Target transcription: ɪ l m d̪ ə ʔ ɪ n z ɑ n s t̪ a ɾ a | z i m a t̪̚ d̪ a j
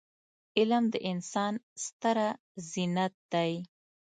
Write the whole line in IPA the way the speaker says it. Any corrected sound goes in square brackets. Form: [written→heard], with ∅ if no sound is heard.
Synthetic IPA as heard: ɪ l m d̪ ə ʔ ɪ n [z→s] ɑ n s t̪ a ɾ a | z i [m→n] a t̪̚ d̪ a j